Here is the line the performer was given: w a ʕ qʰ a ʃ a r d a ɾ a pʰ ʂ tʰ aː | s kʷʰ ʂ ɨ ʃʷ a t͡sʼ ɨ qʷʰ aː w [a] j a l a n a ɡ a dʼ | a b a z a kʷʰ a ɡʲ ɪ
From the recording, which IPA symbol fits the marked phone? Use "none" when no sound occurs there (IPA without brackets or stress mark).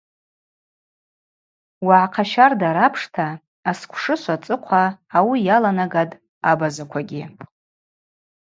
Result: i